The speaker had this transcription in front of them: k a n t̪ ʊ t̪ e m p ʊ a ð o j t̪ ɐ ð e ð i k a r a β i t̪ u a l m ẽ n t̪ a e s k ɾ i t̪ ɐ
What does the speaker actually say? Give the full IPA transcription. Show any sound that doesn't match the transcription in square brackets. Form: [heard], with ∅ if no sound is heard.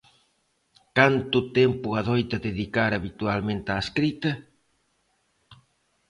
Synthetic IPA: k a n t̪ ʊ t̪ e m p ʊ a ð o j t̪ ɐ ð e ð i k a [ɾ] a β i t̪ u a l m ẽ n t̪ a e s k ɾ i t̪ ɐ

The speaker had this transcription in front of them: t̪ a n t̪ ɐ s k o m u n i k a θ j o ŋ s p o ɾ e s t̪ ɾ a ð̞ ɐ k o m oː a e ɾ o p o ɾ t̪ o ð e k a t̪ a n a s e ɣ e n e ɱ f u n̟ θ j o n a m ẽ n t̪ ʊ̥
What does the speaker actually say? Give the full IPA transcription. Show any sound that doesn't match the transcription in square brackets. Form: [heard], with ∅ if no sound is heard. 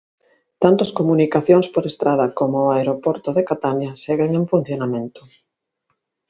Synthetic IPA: t̪ a n t̪ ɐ s k o m u n i k a θ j o ŋ s p o ɾ e s t̪ ɾ a ð̞ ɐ k o m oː a e ɾ o p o ɾ t̪ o ð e k a t̪ a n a s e ɣ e [ŋ] e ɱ f u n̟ θ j o n a m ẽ n t̪ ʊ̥

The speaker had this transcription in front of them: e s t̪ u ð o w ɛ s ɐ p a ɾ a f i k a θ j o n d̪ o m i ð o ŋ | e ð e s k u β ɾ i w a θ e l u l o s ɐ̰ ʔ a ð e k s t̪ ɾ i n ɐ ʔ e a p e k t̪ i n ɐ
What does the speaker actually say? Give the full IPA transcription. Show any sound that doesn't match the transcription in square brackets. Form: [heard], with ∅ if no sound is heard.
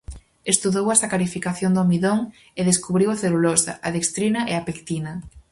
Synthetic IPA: e s t̪ u ð o w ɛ s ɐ [k] a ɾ [i] f i k a θ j o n d̪ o m i ð o ŋ | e ð e s k u β ɾ i w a θ e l u l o s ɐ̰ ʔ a ð e k s t̪ ɾ i n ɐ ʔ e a p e k t̪ i n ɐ

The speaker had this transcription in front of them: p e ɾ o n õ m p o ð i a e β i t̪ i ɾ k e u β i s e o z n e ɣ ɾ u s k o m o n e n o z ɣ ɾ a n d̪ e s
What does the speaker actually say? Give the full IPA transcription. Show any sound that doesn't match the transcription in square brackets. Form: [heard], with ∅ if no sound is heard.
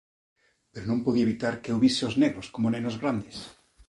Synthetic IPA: p e ɾ o n õ m p o ð i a e β i t̪ [a] ɾ k e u β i s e o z n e ɣ ɾ [o] s k o m o n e n o z ɣ ɾ a n d̪ e s

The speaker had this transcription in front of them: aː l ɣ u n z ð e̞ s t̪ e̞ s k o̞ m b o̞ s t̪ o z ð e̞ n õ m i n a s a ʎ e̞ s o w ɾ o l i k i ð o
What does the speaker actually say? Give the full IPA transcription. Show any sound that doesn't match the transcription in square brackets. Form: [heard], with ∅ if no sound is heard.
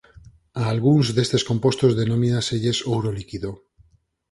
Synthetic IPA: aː l ɣ u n z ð e̞ s t̪ e̞ s k o̞ m [p] o̞ s t̪ o z ð e̞ n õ m i n a s [e] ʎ e̞ s o w ɾ o l i k i ð o

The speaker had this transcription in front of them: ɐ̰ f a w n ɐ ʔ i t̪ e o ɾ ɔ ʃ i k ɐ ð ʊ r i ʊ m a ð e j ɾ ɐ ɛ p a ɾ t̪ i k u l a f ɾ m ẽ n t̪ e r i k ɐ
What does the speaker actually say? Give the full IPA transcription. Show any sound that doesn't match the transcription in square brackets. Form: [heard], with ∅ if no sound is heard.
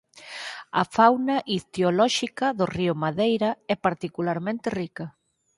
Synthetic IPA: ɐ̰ f a w n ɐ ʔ i t̪ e o [l] ɔ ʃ i k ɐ ð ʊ r i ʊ m a ð e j ɾ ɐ ɛ p a ɾ t̪ i k u l a [∅] ɾ m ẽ n t̪ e r i k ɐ

